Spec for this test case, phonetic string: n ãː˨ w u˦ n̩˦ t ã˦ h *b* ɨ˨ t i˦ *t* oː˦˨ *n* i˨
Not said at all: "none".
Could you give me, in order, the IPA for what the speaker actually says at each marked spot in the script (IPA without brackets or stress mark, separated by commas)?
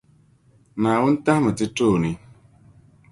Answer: m, t, n